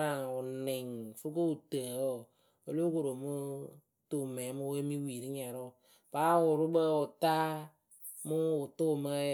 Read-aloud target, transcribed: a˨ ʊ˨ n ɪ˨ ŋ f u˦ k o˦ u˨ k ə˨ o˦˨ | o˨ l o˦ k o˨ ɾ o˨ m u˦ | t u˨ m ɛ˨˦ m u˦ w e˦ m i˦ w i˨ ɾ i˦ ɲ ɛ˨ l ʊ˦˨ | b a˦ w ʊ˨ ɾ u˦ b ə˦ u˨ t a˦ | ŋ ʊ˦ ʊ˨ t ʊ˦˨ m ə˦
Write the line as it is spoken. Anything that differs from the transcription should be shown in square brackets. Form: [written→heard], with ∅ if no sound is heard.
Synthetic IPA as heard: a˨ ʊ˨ n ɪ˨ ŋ f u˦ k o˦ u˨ [k→t] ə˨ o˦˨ | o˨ l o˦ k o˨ ɾ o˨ m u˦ | t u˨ m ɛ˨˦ m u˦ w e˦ m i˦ w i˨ ɾ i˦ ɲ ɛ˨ [l→ɾ] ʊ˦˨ | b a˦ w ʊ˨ ɾ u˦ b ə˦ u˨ t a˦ | [ŋ→m] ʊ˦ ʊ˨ t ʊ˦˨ m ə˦